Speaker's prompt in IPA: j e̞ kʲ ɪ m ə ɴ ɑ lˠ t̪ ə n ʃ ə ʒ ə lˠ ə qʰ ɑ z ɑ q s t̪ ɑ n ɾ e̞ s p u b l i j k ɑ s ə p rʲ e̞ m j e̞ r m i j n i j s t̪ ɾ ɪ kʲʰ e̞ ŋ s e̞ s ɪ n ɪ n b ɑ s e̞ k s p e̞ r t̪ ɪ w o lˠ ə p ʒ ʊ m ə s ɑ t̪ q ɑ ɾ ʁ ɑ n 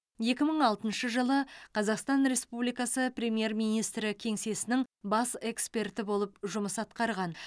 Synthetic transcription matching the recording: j e̞ kʲ ɪ m ə ɴ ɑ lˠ t̪ ə n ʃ ə ʒ ə lˠ ə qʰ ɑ z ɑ q s t̪ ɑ n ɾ e̞ s p u b l i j k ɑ s ə p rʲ e̞ m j e̞ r m i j n i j s t̪ ɾ ɪ kʲʰ e̞ ŋ s e̞ s ɪ n ɪ ŋ b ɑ s e̞ k s p e̞ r t̪ ɪ b o lˠ ə p ʒ ʊ m ə s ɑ t̪ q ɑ ɾ ʁ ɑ n